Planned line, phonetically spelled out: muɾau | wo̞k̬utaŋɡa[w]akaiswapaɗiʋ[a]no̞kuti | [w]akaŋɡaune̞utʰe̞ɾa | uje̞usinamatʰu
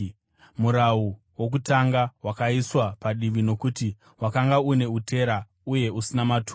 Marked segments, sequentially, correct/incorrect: correct, incorrect, correct

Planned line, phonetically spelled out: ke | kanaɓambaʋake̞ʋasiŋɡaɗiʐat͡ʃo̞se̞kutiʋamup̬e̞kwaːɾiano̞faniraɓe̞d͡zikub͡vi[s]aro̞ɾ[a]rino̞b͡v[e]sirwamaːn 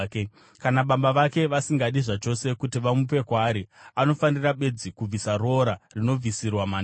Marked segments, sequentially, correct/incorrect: correct, correct, incorrect

